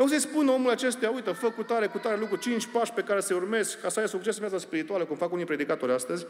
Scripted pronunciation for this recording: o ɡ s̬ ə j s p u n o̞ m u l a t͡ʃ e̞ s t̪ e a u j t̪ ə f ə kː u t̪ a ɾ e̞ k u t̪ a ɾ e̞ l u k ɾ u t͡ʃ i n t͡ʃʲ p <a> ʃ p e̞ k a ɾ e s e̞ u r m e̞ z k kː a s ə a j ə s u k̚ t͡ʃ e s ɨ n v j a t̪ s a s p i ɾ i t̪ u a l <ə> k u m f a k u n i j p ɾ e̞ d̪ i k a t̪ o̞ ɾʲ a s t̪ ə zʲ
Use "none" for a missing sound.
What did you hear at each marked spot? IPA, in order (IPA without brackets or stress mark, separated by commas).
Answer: a, ə